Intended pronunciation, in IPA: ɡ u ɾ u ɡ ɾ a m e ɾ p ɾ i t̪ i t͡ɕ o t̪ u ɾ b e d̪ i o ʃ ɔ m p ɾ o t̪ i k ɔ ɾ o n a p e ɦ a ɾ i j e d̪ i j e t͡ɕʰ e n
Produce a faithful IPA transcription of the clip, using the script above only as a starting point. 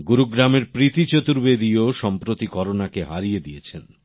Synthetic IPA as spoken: ɡ u ɾ u ɡ ɾ a m e ɾ p ɾ i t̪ i t͡ɕ o t̪ u ɾ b e d̪ i o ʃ ɔ m p ɾ o t̪ i k ɔ ɾ o n a k e ɦ a ɾ i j e d̪ i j e t͡ɕʰ e n

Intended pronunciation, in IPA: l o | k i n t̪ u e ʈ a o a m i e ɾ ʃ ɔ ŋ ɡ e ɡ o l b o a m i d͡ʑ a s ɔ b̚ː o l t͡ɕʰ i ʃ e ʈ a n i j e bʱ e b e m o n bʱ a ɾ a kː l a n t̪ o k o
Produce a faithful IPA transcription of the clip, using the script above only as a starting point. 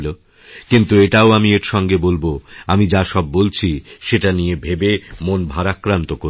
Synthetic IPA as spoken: l o | k i n t̪ u e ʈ a o a m i e ɾ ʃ ɔ ŋ ɡ e b o l b o a m i d͡ʑ a ʃ ɔ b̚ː o l t͡ɕʰ i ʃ e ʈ a n i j e bʱ e b e m o n bʱ a ɾ a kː ɾ a n t̪ o k o

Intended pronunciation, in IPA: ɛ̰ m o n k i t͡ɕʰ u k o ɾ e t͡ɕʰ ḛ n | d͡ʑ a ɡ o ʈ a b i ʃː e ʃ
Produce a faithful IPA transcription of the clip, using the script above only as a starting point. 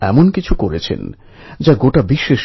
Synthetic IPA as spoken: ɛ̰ m o n k i t͡ɕʰ u k o ɾ e t͡ɕʰ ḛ n | d͡ʑ a ɡ o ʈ a b i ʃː e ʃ

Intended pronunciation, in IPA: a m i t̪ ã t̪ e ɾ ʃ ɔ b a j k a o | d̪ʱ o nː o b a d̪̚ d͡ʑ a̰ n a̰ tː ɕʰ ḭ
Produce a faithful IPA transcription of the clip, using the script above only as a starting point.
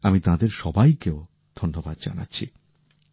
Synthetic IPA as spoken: a m i t̪ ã d̪ e ɾ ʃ ɔ b a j k e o | d̪ʱ o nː o b a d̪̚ d͡ʑ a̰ n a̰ tː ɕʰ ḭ

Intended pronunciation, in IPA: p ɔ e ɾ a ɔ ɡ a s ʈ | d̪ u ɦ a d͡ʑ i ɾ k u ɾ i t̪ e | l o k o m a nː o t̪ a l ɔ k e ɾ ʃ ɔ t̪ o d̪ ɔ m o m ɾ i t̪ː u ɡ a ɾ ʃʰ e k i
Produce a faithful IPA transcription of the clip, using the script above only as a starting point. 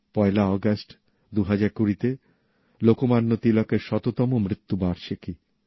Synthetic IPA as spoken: p ɔ e l a ɔ ɡ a s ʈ | d̪ u ɦ a d͡ʑ a ɾ k u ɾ i t̪ e | l o k o m a nː o t̪ i l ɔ k e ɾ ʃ ɔ t̪ o t̪ ɔ m o m ɾ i t̪ː u b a ɾ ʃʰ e k i

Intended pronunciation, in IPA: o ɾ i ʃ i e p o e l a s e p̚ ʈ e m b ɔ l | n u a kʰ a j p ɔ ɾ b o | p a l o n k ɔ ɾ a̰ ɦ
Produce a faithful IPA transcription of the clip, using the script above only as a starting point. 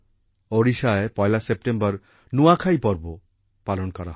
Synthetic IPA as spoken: o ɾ i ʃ a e p ɔ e l a s e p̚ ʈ e m b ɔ ɾ | n u a kʰ a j p ɔ ɾ b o | p a l o n k ɔ ɾ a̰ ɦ

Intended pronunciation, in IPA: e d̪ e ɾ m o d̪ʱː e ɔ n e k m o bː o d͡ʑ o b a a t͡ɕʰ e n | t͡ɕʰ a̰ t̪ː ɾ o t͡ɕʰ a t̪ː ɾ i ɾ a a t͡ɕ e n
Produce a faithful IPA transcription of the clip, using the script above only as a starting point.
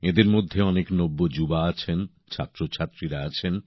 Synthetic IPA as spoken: e d̪ e ɾ m o d̪ʱː e ɔ n e k n o bː o d͡ʑ u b a a t͡ɕʰ e n | t͡ɕʰ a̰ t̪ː ɾ o t͡ɕʰ a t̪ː ɾ i ɾ a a t͡ɕʰ e n

